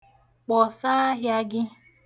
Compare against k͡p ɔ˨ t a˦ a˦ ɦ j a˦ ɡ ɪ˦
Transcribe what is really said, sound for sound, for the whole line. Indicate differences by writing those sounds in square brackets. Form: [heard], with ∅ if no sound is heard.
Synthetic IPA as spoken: k͡p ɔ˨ [s] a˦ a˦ ɦ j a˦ ɡ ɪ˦